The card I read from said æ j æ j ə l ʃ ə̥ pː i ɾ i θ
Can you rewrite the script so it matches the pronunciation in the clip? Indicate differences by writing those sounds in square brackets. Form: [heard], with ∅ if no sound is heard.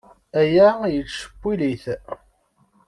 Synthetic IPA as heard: æ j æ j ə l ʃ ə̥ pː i [l] i θ